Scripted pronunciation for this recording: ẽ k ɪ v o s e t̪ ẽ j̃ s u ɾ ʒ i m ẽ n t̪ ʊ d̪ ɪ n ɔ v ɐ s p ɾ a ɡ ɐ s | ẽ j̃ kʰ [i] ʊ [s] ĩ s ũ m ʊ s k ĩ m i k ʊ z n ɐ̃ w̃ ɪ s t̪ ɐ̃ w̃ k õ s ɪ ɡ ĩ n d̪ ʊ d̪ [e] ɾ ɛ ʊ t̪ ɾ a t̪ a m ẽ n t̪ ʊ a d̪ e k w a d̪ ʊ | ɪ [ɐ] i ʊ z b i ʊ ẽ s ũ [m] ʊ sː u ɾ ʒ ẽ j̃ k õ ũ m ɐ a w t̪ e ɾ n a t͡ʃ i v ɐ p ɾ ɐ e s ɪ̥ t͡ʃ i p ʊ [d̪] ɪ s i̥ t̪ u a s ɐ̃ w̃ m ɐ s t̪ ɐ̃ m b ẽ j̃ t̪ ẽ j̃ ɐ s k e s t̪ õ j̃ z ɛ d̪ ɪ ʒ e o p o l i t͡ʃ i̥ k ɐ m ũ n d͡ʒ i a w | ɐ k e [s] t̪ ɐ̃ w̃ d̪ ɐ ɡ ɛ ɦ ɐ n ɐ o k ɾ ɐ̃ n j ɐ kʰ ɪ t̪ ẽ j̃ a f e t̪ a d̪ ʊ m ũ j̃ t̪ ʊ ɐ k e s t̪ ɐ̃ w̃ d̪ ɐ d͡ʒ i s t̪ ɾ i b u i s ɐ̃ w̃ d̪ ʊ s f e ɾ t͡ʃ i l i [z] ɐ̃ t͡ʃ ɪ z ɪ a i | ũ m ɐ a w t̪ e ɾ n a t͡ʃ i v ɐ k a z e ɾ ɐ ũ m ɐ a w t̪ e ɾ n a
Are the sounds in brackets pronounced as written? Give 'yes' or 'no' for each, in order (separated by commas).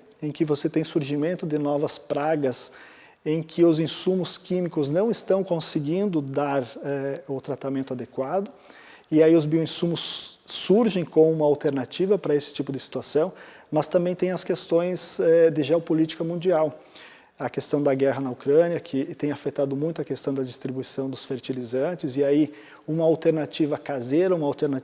no, no, no, no, yes, yes, yes, yes